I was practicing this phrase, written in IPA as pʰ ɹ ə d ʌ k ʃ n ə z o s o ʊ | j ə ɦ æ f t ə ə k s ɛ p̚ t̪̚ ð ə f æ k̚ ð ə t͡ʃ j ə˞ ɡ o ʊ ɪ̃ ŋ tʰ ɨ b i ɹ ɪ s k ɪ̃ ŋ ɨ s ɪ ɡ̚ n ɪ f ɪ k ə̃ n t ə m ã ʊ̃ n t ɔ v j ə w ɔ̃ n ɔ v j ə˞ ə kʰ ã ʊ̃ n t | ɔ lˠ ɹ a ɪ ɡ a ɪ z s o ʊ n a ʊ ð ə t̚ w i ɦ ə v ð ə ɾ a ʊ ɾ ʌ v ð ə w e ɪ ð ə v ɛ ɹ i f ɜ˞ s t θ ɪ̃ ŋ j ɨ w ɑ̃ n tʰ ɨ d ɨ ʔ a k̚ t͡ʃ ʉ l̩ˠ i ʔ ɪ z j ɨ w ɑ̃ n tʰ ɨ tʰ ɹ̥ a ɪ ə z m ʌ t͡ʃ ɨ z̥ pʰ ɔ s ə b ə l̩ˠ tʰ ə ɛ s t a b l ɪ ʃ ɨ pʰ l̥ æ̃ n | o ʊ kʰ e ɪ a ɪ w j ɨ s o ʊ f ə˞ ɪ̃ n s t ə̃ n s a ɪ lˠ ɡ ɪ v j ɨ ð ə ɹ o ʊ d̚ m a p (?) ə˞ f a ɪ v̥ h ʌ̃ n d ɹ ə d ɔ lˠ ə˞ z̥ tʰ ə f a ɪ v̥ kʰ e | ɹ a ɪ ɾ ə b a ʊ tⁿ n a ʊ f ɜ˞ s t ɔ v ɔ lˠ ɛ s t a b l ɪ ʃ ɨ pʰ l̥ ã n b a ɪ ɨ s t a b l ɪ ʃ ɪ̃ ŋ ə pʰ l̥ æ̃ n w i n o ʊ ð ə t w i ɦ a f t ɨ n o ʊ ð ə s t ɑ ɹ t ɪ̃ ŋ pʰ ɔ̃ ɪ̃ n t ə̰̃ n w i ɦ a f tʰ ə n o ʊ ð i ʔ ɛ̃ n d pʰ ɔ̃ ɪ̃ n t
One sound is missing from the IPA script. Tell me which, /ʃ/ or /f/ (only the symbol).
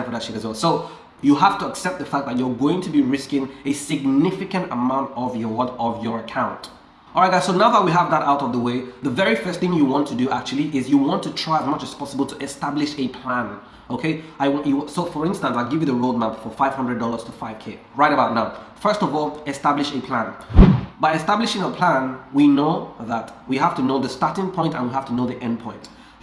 f